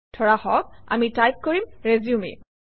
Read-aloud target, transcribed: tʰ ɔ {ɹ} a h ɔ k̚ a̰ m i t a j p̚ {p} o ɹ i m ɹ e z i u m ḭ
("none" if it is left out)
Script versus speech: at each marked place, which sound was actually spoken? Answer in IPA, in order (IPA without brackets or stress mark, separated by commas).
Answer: ɹ, k